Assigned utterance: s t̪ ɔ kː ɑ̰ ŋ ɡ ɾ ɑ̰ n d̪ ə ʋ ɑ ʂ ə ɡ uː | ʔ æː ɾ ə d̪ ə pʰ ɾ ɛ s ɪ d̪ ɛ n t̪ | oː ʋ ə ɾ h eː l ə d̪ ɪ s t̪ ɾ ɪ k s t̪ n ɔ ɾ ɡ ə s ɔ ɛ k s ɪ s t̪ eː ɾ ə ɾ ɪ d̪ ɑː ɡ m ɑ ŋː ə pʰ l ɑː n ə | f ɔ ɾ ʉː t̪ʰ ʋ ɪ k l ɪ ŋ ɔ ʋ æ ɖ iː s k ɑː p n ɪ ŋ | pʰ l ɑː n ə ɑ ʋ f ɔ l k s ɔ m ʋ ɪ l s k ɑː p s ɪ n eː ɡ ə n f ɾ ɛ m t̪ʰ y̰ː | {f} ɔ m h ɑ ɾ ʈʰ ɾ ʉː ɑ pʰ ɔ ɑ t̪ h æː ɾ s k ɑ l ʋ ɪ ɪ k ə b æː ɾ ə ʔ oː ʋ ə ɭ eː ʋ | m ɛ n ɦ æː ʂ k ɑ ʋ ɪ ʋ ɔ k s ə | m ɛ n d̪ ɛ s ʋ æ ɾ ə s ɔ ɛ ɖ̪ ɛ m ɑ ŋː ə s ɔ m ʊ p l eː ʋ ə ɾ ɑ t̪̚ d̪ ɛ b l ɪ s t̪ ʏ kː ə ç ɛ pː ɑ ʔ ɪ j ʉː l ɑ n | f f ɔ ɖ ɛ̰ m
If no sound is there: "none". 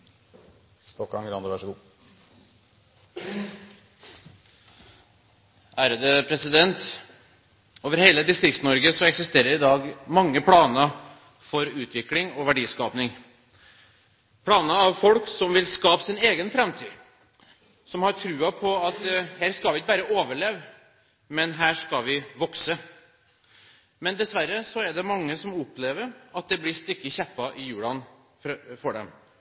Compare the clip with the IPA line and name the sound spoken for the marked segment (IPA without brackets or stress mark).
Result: s